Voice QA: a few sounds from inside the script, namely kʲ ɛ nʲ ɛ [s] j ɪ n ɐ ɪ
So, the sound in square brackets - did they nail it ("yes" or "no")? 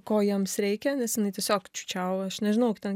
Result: yes